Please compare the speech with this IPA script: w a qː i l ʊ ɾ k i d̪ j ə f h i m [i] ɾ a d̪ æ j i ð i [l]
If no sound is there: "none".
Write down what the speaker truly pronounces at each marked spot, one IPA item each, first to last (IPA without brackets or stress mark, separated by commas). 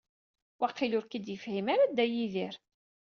a, ɾ